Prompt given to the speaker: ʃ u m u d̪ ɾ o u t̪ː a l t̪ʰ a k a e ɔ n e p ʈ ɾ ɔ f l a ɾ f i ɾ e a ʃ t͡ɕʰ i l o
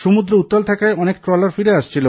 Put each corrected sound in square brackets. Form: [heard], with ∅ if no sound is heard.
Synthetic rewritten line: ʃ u m u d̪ ɾ o u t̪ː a l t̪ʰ a k a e ɔ n e [k] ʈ ɾ ɔ [∅] l a ɾ f i ɾ e a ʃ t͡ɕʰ i l o